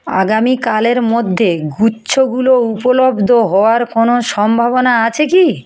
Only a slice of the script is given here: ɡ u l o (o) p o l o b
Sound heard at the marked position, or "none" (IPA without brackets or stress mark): u